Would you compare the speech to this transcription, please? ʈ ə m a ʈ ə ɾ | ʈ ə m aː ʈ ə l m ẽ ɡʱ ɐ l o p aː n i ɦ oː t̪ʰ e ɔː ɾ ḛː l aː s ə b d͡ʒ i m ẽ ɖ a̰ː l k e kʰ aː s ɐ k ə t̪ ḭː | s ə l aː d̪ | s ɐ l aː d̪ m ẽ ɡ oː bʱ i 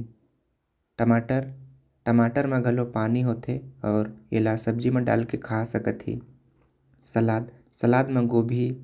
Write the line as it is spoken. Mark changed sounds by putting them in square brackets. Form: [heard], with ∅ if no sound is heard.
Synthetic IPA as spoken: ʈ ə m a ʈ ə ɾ | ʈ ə m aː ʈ ə [ɾ] m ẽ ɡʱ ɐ l o p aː n i ɦ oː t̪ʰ e ɔː ɾ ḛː l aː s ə b d͡ʒ i m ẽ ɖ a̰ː l k e kʰ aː s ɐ k ə t̪ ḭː | s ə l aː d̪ | s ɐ l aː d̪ m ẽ ɡ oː bʱ i